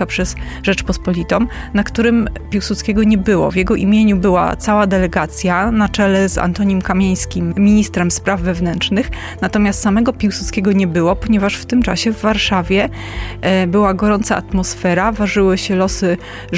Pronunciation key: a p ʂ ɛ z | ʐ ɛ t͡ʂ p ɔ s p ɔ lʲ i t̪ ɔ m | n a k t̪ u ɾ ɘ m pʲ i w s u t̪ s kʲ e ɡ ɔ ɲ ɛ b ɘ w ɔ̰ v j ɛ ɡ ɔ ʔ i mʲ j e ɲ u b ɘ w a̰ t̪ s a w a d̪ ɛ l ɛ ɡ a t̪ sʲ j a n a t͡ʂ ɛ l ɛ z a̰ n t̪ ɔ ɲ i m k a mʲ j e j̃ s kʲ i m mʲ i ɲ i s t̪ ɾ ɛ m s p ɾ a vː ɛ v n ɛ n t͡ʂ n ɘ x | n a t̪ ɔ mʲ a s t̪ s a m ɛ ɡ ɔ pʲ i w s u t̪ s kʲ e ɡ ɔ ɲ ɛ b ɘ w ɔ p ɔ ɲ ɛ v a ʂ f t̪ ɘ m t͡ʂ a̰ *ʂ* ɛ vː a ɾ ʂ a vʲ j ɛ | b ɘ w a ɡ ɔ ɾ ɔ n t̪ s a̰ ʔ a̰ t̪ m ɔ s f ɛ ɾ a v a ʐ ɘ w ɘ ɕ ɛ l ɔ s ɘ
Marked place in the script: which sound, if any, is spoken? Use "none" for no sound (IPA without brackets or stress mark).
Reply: ɕ